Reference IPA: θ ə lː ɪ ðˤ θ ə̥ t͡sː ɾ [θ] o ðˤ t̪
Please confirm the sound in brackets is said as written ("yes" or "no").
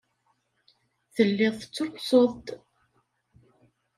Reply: no